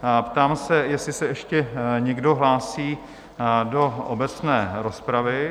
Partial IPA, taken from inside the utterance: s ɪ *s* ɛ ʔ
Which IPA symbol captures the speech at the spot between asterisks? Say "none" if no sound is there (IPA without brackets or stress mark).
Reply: s